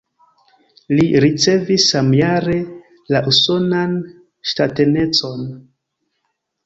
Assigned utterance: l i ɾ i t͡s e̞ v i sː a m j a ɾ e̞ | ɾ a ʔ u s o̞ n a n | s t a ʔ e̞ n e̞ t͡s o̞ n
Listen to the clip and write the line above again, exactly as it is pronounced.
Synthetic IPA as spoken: l i ɾ i t͡s e̞ v i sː a m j a ɾ e̞ | l a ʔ u s o̞ n a n | ʃ t a t e̞ n e̞ t͡s o̞ n